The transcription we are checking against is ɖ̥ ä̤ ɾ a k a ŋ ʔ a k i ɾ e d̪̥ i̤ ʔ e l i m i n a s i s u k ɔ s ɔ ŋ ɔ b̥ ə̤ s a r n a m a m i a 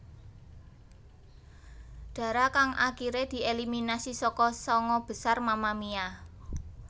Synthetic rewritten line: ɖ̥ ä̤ ɾ a k a ŋ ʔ a k i ɾ e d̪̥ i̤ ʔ e l i m i n a s i s ɔ k ɔ s ɔ ŋ ɔ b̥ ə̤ s a r m a m a m i a